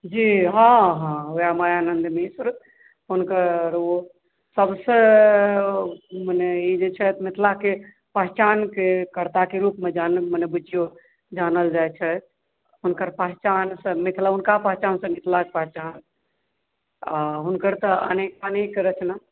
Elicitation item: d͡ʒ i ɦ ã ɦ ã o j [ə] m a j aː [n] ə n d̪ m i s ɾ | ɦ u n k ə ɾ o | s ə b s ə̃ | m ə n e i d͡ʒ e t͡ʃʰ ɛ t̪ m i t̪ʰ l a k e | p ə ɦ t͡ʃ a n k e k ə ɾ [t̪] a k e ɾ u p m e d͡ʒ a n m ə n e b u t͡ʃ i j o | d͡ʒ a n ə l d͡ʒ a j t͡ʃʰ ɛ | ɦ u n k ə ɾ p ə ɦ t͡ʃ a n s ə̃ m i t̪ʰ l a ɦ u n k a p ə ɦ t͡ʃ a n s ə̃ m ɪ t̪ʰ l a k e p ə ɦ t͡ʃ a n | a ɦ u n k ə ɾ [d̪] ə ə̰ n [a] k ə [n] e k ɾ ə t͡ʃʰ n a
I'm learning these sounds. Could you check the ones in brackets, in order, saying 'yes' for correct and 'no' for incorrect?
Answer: no, yes, yes, no, no, yes

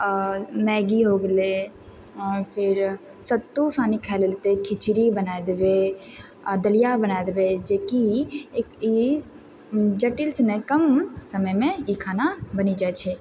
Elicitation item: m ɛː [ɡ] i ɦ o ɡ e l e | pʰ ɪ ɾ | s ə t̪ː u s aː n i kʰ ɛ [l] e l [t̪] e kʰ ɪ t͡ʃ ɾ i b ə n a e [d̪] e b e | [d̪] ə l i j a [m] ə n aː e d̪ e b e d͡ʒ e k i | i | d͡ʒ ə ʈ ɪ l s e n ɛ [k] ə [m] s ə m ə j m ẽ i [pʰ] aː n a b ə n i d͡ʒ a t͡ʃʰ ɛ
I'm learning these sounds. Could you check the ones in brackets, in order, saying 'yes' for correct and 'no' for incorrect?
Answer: yes, yes, yes, yes, yes, no, yes, yes, no

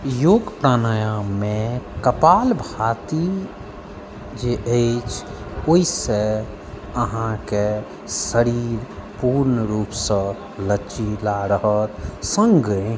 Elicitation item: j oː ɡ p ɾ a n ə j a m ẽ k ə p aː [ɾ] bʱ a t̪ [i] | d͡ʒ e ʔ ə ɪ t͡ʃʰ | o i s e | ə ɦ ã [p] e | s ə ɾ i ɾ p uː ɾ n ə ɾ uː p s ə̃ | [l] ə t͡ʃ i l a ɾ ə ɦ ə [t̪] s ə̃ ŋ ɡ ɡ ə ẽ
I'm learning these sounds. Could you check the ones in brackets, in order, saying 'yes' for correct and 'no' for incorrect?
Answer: no, yes, no, yes, yes

